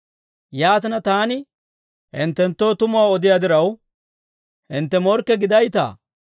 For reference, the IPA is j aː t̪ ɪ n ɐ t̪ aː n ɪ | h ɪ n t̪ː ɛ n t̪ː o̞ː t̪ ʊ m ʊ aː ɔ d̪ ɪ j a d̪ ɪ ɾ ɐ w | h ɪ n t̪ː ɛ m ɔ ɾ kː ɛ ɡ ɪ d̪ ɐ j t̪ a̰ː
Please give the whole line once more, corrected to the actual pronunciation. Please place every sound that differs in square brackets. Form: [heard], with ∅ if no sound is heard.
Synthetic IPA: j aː t̪ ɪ n ɐ t̪ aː n ɪ | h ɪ n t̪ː ɛ n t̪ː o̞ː t̪ ʊ m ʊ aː ɔ d̪ ɪ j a d̪ ɪ ɾ ɐ w | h ɪ n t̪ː ɛ m ɔ ɾ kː ɛ ɡ ɪ d̪ ɐ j t̪ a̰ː